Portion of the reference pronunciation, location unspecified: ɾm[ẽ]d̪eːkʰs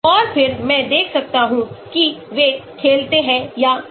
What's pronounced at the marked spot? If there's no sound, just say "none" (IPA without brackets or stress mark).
ɛ̃